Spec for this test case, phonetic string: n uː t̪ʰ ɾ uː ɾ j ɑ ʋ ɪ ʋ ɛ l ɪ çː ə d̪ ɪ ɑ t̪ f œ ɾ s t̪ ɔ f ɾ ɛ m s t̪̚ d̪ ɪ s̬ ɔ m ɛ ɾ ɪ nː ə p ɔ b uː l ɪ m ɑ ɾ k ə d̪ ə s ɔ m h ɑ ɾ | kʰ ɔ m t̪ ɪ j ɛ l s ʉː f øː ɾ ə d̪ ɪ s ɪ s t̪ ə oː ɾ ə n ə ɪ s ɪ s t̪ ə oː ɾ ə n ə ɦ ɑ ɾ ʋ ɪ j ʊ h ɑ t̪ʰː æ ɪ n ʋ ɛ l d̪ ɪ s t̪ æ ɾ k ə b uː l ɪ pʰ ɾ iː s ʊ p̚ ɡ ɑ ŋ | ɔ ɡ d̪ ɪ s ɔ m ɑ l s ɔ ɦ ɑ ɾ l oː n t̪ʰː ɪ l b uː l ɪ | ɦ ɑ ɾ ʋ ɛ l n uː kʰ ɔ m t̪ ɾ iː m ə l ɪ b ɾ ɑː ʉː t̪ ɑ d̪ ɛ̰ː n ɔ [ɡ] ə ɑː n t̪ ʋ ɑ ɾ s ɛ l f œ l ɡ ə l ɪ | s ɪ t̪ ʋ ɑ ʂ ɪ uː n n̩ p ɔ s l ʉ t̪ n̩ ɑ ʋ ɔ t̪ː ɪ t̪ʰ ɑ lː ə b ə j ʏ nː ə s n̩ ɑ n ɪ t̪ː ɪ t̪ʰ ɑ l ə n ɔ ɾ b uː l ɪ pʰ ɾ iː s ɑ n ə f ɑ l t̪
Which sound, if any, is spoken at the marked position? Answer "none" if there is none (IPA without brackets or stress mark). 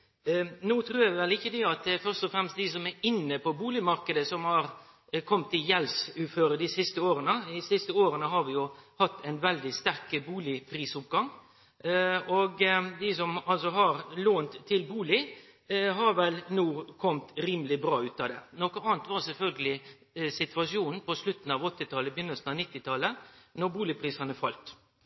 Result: k